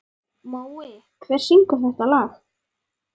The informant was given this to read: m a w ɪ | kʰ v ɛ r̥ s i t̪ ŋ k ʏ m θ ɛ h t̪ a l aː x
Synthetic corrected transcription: m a w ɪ | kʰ v ɛ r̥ s i ŋ k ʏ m θ ɛ h t̪ a l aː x